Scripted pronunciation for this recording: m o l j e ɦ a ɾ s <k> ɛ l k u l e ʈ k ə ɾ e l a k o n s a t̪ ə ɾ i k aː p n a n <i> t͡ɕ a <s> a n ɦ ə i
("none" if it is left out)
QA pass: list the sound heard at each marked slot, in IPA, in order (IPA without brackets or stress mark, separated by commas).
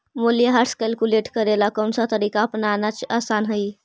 k, a, s